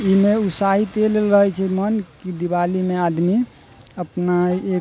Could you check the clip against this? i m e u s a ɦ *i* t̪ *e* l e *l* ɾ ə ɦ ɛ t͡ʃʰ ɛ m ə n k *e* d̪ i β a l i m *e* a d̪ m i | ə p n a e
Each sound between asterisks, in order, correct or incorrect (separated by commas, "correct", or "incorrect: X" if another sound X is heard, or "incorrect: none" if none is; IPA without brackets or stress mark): correct, correct, correct, incorrect: i, correct